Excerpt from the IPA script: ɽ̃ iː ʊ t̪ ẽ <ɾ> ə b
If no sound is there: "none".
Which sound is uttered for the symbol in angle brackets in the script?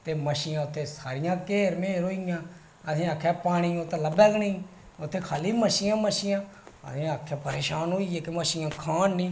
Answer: l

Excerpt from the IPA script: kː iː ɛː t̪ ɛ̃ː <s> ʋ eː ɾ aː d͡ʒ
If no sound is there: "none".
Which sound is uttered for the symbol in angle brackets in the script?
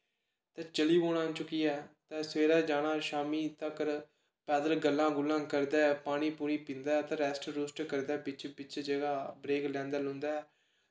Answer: s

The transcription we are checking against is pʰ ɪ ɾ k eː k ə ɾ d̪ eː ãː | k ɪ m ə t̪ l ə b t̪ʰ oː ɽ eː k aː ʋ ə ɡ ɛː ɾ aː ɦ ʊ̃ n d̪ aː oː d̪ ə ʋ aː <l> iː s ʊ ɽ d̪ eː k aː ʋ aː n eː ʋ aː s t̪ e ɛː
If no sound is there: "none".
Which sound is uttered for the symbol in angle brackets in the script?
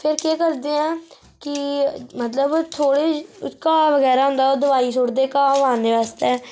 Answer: none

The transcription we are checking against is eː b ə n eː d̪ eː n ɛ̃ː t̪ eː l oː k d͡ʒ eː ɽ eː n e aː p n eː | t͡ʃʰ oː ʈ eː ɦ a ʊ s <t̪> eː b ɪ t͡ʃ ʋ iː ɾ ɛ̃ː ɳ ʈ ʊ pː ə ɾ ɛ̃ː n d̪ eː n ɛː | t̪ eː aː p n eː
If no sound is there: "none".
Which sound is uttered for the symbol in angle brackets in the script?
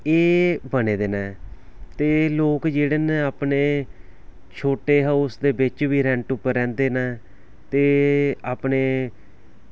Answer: d̪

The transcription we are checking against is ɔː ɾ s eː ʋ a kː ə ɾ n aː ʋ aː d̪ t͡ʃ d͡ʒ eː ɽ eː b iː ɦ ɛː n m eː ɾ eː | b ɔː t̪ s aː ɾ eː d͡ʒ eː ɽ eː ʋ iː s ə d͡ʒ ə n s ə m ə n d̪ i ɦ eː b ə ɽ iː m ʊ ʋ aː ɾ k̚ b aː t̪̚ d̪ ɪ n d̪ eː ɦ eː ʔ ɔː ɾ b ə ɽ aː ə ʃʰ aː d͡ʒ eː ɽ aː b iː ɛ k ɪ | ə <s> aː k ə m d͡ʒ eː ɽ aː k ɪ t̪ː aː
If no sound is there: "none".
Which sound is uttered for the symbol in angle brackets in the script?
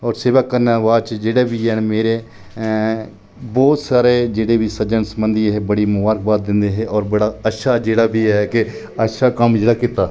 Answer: ʃ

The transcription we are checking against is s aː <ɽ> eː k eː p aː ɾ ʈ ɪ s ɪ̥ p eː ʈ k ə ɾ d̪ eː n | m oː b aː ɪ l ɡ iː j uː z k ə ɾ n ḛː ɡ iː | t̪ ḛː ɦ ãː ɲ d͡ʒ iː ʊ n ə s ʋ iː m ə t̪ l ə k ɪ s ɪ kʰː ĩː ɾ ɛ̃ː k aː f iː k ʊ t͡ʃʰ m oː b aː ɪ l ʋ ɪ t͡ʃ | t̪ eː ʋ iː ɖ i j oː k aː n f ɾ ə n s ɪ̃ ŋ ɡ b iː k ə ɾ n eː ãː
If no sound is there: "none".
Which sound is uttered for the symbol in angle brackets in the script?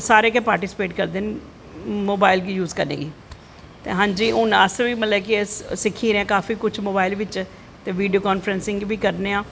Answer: ɾ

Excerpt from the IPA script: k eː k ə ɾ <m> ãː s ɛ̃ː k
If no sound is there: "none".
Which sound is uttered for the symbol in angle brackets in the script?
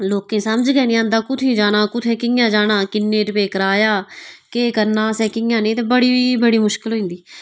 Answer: n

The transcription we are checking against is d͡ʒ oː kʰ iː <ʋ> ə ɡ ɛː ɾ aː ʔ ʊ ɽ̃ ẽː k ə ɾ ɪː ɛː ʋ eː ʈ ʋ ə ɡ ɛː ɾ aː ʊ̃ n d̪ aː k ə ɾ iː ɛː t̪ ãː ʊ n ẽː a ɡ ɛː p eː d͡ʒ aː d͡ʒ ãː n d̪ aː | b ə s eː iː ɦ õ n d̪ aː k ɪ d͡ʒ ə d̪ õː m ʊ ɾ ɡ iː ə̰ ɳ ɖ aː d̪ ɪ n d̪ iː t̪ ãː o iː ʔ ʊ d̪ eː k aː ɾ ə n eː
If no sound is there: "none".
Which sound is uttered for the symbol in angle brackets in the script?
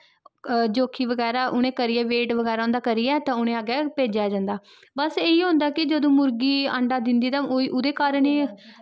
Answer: ʋ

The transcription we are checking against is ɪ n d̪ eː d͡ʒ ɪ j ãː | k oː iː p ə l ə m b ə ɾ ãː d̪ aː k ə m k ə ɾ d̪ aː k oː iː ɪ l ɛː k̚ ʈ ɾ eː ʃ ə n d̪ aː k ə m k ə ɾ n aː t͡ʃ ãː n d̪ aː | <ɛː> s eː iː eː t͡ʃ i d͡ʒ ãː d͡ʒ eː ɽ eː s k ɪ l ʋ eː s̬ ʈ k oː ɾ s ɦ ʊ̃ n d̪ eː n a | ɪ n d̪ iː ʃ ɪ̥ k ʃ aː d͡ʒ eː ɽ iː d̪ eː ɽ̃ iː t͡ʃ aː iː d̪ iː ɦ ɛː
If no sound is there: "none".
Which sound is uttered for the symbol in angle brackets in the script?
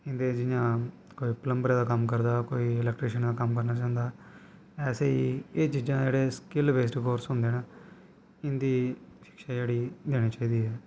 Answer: ɛː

